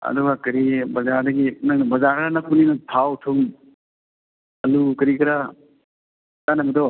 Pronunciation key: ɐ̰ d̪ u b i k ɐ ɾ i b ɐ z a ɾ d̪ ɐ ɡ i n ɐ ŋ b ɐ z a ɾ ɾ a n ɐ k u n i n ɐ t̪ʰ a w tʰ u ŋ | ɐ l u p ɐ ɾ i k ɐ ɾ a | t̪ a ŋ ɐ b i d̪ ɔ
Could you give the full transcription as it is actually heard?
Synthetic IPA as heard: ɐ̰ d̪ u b a k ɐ ɾ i b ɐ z a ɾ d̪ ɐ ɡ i n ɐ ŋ b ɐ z a ɾ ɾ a n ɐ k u n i n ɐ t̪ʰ a w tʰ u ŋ | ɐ l u k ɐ ɾ i k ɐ ɾ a | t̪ a n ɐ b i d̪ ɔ